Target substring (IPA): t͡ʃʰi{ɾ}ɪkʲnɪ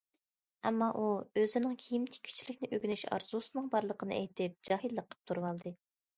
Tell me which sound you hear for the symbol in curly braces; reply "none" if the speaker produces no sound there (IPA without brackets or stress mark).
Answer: l